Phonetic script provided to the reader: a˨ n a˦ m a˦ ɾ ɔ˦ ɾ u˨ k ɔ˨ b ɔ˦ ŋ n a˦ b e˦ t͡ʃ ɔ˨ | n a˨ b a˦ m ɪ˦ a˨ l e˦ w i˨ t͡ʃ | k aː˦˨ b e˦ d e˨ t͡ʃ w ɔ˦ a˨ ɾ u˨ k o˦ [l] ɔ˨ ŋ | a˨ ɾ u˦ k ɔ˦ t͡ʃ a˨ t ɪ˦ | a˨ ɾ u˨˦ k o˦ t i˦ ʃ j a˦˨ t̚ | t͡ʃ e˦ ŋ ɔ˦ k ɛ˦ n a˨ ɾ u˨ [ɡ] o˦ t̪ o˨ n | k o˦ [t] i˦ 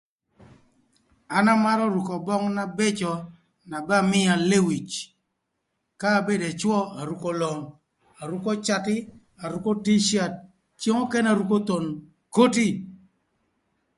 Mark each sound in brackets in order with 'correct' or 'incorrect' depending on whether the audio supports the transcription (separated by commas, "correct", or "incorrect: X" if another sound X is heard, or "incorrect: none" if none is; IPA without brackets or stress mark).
correct, incorrect: k, correct